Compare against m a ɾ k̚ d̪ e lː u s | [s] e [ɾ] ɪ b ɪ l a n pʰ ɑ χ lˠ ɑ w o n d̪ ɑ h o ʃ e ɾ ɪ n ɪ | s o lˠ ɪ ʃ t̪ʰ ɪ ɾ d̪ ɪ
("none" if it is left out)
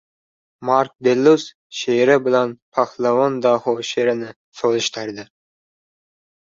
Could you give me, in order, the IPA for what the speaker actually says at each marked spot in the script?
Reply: ʃ, ɾ

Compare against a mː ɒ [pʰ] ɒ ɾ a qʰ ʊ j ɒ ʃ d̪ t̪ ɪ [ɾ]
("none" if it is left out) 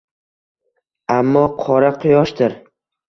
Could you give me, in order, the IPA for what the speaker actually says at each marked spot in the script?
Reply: qʰ, ɾ

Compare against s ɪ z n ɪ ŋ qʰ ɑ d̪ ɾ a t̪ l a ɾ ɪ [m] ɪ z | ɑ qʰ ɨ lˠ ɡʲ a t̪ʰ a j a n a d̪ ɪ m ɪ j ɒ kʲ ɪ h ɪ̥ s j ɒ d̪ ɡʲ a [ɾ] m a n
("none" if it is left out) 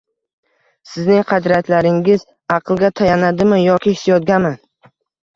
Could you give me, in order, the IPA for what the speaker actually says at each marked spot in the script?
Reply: ŋ, none

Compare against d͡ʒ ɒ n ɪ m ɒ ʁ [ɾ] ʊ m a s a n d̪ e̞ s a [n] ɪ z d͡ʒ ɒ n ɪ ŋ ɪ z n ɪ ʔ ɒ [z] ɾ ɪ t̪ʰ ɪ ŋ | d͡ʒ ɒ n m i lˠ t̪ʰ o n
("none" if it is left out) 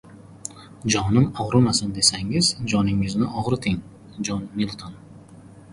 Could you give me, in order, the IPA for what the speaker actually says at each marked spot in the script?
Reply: ɾ, ŋ, ʁ

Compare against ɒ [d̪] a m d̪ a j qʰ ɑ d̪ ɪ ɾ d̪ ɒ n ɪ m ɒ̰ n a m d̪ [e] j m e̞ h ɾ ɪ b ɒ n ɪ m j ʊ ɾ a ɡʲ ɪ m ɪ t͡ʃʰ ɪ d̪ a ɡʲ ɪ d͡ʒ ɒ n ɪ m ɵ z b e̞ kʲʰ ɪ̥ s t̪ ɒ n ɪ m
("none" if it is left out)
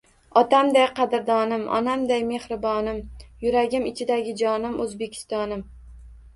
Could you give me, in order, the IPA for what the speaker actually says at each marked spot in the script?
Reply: t̪, a

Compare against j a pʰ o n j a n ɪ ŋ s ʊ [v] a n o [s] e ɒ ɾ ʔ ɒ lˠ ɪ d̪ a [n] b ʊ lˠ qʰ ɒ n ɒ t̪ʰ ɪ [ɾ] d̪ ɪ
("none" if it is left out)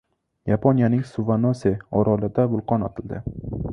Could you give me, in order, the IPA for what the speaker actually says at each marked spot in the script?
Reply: v, s, none, l

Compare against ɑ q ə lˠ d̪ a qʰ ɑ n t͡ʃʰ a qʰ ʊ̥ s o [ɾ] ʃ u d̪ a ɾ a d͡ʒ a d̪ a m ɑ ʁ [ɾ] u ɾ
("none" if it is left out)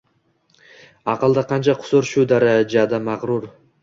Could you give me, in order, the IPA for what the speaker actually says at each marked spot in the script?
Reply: ɾ, ɾ

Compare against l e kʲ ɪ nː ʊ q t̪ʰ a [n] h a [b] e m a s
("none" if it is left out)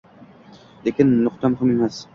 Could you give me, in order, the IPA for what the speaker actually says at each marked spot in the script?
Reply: m, m

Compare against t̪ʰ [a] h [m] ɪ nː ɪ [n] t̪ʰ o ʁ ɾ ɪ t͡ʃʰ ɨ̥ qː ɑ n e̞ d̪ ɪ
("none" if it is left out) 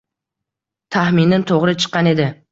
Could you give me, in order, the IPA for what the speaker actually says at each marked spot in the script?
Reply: a, m, n

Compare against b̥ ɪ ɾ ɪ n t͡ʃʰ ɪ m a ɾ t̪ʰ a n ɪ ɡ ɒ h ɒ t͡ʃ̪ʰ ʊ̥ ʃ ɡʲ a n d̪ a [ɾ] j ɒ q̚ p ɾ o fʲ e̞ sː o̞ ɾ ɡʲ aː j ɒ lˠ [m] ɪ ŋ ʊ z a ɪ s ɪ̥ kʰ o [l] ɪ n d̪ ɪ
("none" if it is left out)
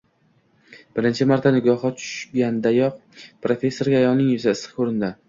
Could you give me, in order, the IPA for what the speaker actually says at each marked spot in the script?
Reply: none, n, ɾ

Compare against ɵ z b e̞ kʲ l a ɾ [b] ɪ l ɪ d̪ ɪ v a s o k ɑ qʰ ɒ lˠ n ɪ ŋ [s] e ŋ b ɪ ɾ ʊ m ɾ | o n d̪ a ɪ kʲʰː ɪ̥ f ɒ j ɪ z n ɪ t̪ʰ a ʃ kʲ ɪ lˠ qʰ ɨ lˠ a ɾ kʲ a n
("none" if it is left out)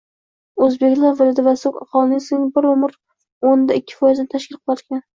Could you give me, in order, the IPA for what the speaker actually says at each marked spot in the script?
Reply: v, s

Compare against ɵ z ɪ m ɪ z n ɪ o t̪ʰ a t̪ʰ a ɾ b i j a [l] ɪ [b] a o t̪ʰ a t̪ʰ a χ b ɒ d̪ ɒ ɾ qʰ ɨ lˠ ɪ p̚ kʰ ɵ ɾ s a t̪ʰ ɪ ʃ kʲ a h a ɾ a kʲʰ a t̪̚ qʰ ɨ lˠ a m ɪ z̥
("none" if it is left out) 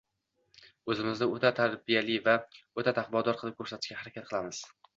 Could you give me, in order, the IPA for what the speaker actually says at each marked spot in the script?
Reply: l, v

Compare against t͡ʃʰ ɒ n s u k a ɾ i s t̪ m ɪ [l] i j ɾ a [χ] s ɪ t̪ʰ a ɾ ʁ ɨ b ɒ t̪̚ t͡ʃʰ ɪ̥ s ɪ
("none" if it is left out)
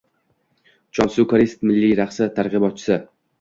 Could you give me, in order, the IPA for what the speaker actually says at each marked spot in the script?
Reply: lː, χ

